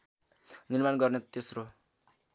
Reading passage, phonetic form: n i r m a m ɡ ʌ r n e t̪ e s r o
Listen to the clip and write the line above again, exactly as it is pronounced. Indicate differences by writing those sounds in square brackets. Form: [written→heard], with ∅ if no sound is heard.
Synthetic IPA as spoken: n i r m a [m→n] ɡ ʌ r n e t̪ e s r o